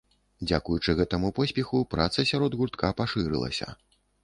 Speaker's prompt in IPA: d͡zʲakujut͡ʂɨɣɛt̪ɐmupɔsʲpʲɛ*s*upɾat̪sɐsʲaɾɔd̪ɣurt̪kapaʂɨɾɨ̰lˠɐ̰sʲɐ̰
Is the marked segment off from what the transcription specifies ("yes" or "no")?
yes